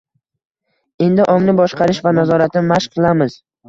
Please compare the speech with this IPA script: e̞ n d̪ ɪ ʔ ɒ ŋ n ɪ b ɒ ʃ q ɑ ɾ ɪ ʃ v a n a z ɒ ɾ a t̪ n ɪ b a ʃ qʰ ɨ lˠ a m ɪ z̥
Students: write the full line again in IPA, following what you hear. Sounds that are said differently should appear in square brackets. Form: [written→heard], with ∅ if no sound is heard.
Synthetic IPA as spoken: e̞ n d̪ ɪ ʔ ɒ ŋ n ɪ b ɒ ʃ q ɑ ɾ ɪ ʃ v a n a z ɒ ɾ a t̪ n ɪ [b→m] a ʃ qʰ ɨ lˠ a m ɪ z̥